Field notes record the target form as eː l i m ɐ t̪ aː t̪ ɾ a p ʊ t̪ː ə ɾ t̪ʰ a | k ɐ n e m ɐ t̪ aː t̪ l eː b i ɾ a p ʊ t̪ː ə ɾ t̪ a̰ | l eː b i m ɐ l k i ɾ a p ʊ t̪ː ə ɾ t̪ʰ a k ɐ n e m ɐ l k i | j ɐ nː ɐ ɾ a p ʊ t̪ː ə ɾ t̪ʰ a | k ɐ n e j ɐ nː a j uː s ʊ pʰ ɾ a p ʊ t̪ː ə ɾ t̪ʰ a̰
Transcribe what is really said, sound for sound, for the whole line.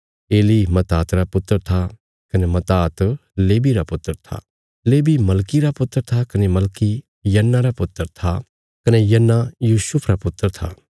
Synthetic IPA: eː l i m ɐ t̪ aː t̪ ɾ a p ʊ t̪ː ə ɾ t̪ʰ a | k ɐ n e m ɐ t̪ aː t̪ l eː b i ɾ a p ʊ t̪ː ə ɾ t̪ʰ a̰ | l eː b i m ɐ l k i ɾ a p ʊ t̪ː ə ɾ t̪ʰ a k ɐ n e m ɐ l k i | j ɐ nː a ɾ a p ʊ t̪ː ə ɾ t̪ʰ a | k ɐ n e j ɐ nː a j uː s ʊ pʰ ɾ a p ʊ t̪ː ə ɾ t̪ʰ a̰